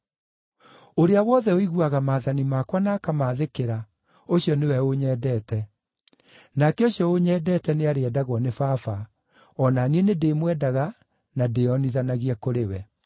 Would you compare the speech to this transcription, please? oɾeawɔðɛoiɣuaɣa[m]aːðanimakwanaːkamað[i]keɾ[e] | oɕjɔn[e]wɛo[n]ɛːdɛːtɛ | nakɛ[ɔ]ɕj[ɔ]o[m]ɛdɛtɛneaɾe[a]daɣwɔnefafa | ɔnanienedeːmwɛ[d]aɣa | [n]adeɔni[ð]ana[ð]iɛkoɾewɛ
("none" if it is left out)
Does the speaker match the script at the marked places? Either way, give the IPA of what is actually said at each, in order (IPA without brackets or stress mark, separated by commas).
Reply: m, e, a, e, ɲ, o, ɔ, ɲ, ɛ, d, n, ð, ɣ